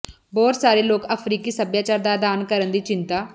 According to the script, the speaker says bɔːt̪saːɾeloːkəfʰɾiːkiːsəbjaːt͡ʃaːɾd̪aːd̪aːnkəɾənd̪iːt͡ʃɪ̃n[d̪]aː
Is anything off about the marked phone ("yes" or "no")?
yes